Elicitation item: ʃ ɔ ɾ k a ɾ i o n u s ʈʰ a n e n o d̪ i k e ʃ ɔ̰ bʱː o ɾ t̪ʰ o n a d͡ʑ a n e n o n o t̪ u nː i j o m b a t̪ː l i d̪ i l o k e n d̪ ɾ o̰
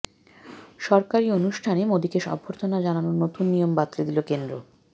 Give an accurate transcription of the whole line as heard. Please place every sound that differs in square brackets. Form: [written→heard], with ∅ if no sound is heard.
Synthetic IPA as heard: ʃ ɔ ɾ k a ɾ i o n u [s→ʃ] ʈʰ a n e [n→m] o d̪ i k e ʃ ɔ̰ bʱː o ɾ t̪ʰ o n a d͡ʑ a n [e→a] n o n o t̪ u nː i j o m b a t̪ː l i d̪ i l o k e n d̪ ɾ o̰